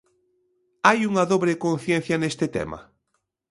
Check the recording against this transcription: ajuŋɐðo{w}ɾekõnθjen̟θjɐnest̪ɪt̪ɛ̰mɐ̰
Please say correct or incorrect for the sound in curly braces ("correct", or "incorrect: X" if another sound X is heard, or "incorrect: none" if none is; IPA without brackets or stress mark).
incorrect: β